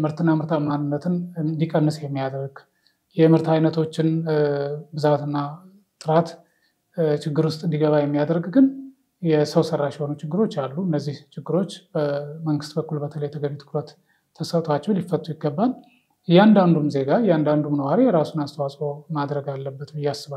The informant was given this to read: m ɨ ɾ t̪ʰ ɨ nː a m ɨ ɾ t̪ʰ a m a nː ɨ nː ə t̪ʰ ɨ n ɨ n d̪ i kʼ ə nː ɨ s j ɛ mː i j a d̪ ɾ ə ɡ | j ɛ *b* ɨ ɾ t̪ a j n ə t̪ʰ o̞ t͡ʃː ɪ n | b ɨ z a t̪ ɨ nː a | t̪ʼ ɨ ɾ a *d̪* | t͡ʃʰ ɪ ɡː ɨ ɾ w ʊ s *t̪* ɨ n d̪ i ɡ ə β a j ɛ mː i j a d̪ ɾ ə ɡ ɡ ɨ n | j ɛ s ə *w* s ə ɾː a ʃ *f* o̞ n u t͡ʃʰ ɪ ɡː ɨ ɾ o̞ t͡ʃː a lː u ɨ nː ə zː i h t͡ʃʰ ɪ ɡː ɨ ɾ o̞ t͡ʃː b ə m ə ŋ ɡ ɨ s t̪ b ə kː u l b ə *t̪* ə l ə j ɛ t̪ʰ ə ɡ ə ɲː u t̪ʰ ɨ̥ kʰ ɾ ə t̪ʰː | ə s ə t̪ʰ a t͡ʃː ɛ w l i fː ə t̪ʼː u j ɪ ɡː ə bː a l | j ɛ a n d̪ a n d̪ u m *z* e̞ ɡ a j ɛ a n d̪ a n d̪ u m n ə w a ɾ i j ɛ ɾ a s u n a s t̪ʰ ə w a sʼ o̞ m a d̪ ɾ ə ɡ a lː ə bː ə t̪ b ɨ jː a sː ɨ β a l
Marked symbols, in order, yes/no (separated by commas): no, no, no, yes, no, no, yes